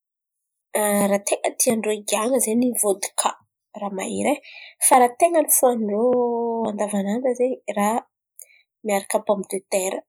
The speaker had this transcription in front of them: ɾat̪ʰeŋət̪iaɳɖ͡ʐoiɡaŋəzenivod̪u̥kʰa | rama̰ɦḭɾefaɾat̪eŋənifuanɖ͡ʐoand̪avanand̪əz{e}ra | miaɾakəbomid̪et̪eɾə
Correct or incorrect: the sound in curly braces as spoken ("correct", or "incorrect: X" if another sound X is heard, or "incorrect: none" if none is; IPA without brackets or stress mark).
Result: correct